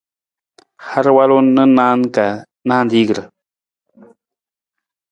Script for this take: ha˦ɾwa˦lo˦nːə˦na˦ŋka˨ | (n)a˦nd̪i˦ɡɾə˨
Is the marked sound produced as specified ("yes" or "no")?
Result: yes